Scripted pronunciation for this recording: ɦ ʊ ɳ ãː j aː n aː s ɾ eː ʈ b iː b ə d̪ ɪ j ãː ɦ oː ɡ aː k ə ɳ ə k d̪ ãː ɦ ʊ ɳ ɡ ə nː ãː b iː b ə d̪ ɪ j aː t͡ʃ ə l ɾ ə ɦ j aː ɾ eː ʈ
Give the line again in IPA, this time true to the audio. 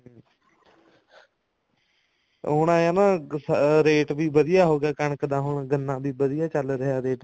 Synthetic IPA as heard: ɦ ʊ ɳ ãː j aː n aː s ɾ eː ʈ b iː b ə d̪ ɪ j aː ɦ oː ɡ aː k ə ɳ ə k d̪ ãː ɦ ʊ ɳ ɡ ə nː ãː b iː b ə d̪ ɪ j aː t͡ʃ ə l ɾ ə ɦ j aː ɾ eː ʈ